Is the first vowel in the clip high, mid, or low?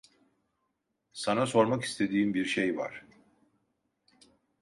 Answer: low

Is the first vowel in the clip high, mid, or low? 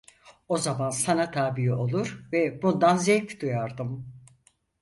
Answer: mid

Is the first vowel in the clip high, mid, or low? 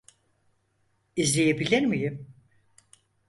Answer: high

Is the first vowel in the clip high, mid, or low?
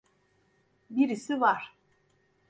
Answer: high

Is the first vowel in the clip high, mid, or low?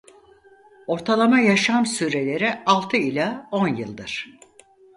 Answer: mid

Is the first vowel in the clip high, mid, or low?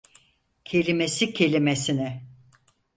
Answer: mid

